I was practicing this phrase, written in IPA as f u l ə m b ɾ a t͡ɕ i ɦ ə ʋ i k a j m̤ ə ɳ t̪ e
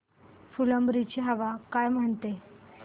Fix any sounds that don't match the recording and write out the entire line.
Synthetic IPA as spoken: f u l ə m b ɾ i t͡ɕ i ɦ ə ʋ a k a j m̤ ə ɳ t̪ e